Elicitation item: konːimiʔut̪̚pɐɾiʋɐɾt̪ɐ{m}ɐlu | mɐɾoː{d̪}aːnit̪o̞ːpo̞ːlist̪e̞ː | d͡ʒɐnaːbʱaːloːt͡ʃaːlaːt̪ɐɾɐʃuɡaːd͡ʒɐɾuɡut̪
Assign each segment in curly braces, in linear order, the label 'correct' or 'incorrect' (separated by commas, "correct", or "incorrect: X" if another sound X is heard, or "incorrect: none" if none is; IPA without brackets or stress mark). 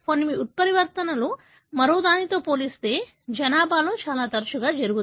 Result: incorrect: n, correct